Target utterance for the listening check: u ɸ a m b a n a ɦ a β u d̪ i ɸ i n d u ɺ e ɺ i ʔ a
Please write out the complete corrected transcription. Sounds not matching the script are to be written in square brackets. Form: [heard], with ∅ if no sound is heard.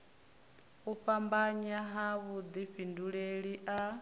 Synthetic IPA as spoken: u ɸ a m b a [ɲ] a ɦ a β u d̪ i ɸ i n d u ɺ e ɺ i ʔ a